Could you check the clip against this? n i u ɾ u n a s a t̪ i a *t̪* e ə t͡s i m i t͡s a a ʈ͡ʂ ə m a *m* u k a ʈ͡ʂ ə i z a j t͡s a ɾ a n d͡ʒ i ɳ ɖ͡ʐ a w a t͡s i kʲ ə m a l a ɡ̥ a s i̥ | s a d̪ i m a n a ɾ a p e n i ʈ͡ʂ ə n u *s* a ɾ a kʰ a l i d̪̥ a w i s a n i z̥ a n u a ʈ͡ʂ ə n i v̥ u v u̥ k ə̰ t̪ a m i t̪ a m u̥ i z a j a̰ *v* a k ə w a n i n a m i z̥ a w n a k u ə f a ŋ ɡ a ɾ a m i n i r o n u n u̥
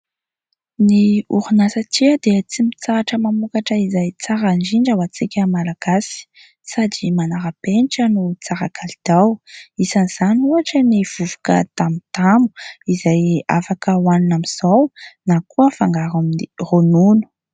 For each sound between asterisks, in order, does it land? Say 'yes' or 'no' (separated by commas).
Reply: no, yes, no, no